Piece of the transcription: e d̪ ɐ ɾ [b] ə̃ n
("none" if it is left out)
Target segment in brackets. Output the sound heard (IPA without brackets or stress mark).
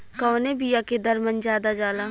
m